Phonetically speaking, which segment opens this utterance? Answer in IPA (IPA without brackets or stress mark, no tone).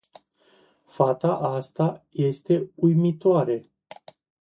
f